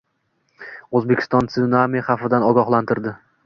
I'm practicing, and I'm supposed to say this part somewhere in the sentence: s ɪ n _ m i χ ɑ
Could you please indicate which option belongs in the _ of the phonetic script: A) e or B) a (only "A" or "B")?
B